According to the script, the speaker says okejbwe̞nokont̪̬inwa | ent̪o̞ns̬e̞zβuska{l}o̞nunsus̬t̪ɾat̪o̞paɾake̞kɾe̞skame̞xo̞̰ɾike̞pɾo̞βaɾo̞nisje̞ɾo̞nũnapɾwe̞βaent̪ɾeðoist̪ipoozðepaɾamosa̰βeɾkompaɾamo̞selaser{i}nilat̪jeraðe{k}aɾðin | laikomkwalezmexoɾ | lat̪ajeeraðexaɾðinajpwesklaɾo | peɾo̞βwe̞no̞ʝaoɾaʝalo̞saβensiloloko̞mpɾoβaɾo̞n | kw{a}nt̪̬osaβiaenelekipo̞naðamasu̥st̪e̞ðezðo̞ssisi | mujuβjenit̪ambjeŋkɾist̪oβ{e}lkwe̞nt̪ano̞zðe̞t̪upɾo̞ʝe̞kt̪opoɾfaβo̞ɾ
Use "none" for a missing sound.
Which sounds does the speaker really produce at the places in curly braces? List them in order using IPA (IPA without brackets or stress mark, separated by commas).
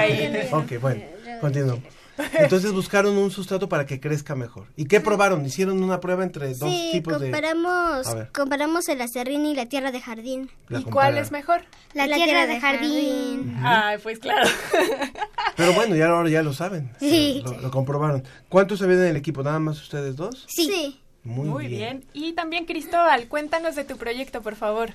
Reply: ɾ, i, x, a, a